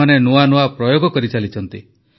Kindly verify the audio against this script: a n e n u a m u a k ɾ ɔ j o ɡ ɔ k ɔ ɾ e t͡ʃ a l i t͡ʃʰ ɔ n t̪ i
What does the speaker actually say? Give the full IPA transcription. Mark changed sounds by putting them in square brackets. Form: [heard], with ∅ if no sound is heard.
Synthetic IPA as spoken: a n e n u a [n] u a [p] ɾ ɔ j o ɡ ɔ k ɔ ɾ [i] t͡ʃ a l i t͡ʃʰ ɔ n t̪ i

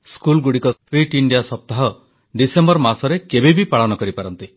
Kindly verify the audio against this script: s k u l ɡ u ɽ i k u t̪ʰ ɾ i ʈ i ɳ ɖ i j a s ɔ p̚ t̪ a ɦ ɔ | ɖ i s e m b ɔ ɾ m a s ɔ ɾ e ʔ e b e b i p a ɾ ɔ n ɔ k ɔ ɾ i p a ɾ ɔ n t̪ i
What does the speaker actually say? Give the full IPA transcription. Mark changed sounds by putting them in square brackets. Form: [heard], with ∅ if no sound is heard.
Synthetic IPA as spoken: s k u l ɡ u ɽ i k [ɔ] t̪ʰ ɾ i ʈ i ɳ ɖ i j a s ɔ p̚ t̪ a ɦ ɔ | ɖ i s e m b ɔ ɾ m a s ɔ ɾ e [k] e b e b i p a [ɭ] ɔ n ɔ k ɔ ɾ i p a ɾ ɔ n t̪ i

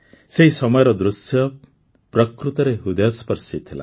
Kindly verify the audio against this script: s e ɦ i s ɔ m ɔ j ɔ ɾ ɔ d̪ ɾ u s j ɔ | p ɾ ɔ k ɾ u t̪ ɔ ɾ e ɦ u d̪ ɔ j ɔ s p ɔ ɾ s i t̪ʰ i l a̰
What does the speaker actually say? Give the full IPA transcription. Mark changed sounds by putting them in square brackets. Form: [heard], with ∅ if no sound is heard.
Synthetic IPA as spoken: s e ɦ i s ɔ m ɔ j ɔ ɾ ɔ d̪ ɾ u s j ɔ | p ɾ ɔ k ɾ u t̪ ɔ ɾ e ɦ u d̪ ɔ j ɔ s p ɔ ɾ s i t̪ʰ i l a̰

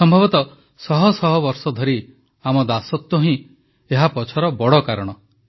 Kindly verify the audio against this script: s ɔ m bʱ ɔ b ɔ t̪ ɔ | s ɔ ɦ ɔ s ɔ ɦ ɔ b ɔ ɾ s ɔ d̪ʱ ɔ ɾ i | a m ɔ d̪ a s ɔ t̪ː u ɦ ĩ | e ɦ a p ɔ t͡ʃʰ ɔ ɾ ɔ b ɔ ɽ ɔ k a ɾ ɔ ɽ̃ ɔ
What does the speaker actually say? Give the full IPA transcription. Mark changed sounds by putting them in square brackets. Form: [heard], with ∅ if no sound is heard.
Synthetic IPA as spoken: s ɔ m bʱ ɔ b ɔ t̪ ɔ | s ɔ ɦ ɔ s ɔ ɦ ɔ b ɔ ɾ s ɔ d̪ʱ ɔ ɾ i | a m ɔ d̪ a s ɔ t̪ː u ɦ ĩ | e ɦ a p ɔ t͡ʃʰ ɔ ɾ ɔ b ɔ ɽ ɔ k a ɾ ɔ ɽ̃ ɔ

